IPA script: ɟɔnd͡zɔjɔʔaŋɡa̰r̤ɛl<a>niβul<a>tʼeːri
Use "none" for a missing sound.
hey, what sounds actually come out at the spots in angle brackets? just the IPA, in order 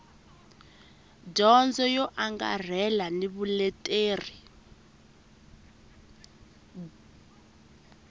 a, ɛ

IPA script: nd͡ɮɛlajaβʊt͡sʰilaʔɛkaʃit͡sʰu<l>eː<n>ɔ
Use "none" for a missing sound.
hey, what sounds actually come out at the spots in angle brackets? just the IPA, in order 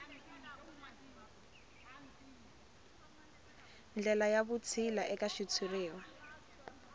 r, none

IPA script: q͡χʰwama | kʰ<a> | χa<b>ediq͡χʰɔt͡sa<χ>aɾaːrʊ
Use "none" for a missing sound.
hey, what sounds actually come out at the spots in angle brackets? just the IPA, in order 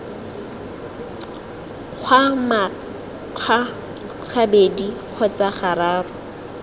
a, b, χ

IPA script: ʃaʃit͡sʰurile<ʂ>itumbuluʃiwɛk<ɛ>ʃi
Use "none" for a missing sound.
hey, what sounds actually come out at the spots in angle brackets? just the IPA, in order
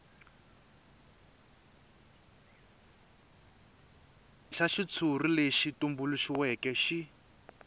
ʃ, ɛ

